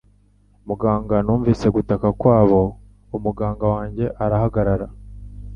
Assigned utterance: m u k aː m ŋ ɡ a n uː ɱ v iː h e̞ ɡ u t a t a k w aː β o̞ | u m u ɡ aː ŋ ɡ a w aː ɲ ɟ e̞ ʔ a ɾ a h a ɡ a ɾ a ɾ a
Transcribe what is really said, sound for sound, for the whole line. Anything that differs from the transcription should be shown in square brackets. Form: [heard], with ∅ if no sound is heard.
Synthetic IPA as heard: m u [ɡ] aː [∅] ŋ ɡ a n uː ɱ v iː [s] e̞ ɡ u t a [k] a k w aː β o̞ | u m u ɡ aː ŋ ɡ a w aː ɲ ɟ e̞ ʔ a ɾ a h a ɡ a ɾ a ɾ a